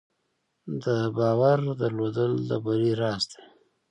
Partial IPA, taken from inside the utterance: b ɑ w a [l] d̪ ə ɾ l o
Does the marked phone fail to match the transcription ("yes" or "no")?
yes